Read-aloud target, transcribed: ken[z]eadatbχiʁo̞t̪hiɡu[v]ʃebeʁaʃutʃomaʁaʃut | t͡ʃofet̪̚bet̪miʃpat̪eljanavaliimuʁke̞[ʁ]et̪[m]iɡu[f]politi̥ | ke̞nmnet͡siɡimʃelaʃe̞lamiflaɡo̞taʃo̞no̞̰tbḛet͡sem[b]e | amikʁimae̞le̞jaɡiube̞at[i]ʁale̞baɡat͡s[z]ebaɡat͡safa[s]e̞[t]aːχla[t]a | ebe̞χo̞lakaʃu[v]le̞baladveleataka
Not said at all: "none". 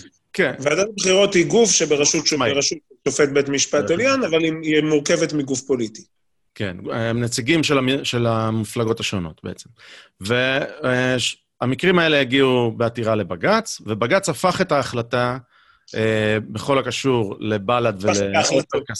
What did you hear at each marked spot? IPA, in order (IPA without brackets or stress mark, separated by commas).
v, f, v, m, f, v, i, v, χ, t, t, ʁ